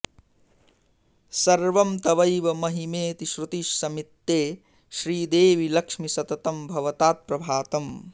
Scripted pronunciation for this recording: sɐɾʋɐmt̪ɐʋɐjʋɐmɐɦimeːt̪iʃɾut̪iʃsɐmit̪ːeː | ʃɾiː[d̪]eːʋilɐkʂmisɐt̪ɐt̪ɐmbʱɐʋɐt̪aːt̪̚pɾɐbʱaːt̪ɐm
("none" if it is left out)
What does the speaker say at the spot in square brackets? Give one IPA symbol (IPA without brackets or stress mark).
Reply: d̪